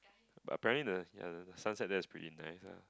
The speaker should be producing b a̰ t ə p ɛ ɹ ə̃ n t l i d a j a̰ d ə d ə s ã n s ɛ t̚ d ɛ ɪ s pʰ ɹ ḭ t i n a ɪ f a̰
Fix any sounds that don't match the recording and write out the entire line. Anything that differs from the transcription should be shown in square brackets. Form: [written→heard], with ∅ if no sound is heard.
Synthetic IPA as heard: b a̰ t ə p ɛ ɹ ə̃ n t l i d [a→ə] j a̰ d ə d ə s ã n s ɛ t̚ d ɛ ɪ s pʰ ɹ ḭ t i n a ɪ [f→s] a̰